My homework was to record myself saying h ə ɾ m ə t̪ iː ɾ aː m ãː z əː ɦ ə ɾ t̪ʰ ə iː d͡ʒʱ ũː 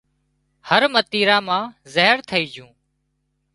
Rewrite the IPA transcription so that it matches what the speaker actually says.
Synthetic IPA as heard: h ə ɾ m ə t̪ iː ɾ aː m ãː z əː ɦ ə ɾ t̪ʰ ə iː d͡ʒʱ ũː